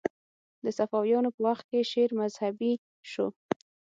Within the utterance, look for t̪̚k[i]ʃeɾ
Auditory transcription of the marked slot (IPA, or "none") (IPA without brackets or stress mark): e